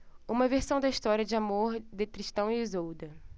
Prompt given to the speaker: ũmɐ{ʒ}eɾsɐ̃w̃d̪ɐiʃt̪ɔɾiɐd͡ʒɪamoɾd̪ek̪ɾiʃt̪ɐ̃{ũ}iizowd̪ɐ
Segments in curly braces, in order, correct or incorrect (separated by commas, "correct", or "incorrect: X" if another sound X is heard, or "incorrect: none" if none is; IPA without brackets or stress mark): incorrect: v, incorrect: w̃